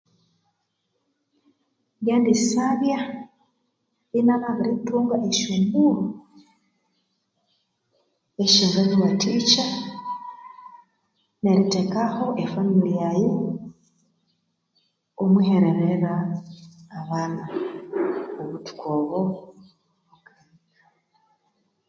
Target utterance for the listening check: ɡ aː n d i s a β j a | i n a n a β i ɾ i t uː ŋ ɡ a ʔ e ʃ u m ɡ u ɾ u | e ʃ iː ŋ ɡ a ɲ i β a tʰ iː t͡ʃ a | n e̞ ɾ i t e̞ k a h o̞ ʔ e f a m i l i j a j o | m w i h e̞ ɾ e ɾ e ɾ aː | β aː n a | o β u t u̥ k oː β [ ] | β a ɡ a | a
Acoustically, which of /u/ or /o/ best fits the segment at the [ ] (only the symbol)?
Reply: o